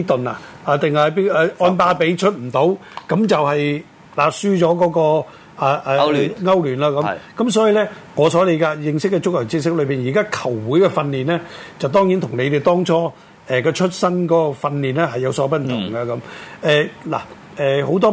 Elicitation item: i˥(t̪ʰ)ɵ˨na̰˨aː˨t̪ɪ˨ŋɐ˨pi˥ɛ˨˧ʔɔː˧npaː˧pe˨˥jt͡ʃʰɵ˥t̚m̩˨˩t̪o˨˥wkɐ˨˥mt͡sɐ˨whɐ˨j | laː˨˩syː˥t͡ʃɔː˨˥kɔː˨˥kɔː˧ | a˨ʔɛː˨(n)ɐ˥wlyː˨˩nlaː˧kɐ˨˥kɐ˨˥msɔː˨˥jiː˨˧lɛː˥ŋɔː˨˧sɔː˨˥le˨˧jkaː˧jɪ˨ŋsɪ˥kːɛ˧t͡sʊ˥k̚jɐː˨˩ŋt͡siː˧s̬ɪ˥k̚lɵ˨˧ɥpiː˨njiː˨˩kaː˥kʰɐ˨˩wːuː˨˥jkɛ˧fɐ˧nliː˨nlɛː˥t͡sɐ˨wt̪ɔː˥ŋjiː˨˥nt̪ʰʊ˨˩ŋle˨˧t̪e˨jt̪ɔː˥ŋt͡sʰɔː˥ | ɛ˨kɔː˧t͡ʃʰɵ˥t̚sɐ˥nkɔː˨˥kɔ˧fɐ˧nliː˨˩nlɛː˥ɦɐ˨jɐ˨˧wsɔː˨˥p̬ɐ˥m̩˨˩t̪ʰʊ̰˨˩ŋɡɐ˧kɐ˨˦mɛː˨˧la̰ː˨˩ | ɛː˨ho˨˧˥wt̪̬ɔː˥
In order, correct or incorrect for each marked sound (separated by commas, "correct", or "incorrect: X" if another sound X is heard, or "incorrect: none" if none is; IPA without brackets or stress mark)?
incorrect: t̪, incorrect: ŋ